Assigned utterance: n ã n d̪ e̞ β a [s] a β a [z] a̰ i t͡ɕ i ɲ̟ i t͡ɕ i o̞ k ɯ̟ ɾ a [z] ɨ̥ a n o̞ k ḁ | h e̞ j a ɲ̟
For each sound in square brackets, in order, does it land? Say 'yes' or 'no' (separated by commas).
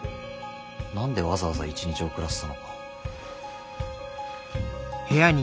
no, yes, no